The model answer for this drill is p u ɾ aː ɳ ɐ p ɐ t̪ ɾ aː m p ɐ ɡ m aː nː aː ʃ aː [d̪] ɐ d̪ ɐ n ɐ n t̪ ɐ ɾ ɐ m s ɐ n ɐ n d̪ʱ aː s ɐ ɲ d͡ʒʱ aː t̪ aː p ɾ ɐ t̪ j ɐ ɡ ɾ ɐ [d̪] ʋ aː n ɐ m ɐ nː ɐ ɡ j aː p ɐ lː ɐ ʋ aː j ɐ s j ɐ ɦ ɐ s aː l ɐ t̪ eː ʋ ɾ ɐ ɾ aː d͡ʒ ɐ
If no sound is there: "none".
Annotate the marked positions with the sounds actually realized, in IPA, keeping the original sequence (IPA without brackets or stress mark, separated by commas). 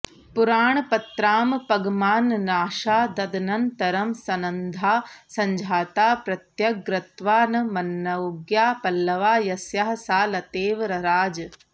d̪, t̪